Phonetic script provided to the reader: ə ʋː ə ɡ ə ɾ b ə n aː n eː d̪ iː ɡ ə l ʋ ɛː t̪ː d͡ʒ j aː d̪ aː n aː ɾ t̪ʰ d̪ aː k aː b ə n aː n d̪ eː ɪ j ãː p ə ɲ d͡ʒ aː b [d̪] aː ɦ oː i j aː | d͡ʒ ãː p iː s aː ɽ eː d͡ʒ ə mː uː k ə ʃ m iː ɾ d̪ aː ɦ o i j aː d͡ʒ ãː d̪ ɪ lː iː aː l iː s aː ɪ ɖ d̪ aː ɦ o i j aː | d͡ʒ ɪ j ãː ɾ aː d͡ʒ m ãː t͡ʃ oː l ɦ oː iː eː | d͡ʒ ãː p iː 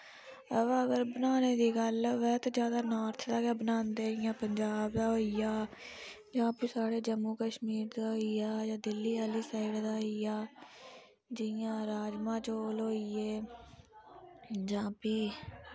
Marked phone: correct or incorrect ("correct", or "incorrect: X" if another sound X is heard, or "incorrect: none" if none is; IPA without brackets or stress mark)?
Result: correct